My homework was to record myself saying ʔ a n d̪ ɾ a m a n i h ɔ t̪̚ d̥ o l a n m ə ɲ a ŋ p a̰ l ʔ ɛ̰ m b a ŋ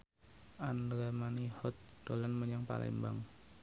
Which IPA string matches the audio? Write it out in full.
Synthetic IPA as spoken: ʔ a n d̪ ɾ a m a n i h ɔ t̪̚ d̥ o l a n m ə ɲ a ŋ p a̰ l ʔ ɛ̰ m b a ŋ